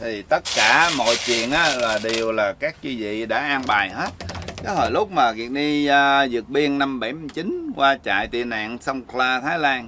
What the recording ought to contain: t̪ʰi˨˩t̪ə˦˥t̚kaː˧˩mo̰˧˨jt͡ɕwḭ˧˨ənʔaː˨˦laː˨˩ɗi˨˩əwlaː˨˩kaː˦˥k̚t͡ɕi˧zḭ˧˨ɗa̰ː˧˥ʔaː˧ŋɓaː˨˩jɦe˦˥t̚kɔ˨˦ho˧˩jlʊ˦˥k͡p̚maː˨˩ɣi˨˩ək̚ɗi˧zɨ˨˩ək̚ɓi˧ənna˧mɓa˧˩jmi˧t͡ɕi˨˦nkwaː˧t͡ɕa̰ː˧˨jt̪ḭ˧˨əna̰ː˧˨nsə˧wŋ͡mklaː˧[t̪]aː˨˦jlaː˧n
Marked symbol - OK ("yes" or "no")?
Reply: no